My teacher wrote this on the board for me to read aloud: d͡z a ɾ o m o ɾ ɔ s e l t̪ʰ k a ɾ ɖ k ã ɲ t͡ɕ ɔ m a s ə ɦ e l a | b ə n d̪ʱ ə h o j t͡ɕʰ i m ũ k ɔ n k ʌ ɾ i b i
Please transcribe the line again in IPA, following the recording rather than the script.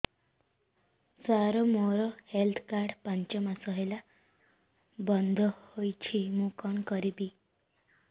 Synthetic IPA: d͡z a ɾ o m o ɾ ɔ h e l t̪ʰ k a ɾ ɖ p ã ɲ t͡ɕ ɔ m a s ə ɦ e l a | b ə n d̪ʱ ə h o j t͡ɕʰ i m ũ k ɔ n k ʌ ɾ i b i